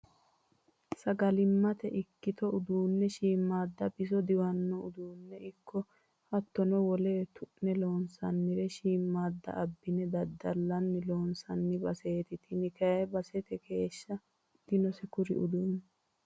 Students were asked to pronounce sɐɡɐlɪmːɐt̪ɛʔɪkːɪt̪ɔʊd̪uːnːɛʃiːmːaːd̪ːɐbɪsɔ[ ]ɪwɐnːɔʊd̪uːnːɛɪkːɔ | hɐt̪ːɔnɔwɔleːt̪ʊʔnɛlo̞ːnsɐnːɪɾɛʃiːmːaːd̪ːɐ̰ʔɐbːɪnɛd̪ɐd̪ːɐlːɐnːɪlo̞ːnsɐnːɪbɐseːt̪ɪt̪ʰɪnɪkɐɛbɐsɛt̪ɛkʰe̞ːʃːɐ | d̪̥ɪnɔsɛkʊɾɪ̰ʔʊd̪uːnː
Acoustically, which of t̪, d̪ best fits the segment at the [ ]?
d̪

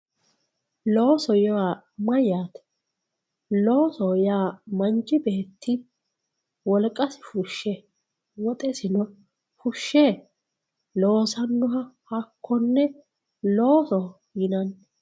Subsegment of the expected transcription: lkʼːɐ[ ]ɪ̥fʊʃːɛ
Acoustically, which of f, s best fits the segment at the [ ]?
s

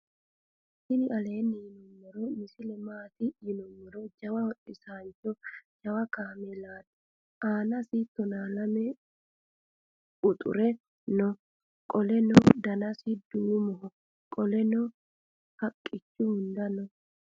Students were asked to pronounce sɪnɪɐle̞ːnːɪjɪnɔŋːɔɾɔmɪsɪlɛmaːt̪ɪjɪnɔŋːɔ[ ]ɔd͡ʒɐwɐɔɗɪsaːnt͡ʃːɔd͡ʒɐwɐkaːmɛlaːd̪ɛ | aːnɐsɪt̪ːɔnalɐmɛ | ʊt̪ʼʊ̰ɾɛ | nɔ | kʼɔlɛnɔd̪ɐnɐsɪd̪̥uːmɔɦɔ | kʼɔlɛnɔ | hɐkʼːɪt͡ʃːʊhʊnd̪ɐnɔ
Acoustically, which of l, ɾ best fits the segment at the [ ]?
ɾ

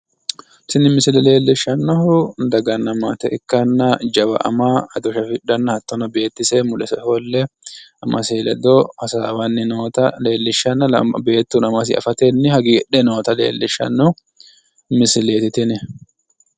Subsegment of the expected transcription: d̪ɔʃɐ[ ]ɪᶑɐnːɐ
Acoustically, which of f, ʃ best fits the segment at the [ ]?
f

